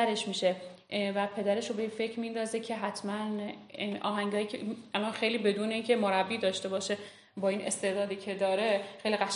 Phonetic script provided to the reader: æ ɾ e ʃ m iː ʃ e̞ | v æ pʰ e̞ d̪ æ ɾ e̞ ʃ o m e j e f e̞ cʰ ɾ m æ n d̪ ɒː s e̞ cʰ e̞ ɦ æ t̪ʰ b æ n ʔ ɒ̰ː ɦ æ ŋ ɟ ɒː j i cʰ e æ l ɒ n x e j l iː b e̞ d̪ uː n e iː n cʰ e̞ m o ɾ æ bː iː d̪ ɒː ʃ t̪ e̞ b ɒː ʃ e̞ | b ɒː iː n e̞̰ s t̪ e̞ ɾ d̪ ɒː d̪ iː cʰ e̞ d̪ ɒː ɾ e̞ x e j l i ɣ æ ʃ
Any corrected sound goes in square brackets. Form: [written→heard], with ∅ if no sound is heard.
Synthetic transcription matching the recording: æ ɾ e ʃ m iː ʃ e̞ | v æ pʰ e̞ d̪ æ ɾ e̞ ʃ o [m→b] e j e f e̞ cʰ ɾ m [æ→i] n d̪ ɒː [s→z] e̞ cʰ e̞ ɦ æ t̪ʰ [b→m] æ n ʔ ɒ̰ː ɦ æ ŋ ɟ ɒː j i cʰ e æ l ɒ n x e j l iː b e̞ d̪ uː n e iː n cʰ e̞ m o ɾ æ bː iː d̪ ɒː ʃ t̪ e̞ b ɒː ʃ e̞ | b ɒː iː n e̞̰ s t̪ e̞ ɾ d̪ ɒː d̪ iː cʰ e̞ d̪ ɒː ɾ e̞ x e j l i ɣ æ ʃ